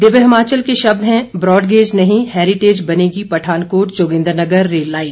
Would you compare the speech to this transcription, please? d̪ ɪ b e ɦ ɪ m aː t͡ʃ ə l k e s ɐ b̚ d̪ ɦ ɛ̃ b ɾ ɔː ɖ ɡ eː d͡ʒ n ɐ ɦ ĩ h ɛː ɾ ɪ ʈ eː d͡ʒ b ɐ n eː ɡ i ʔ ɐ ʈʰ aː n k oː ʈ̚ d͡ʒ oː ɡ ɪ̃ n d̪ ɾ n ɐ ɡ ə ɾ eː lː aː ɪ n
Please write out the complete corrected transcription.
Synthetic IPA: d̪ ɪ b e ɦ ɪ m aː t͡ʃ ə l k e ʃ ɐ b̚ d̪ ɦ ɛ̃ b ɾ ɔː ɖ ɡ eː d͡ʒ n ɐ ɦ ĩ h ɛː ɾ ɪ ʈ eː d͡ʒ b ɐ n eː ɡ i p ɐ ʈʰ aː n k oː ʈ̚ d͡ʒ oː ɡ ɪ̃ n d̪ ɾ n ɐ ɡ ə ɾː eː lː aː ɪ n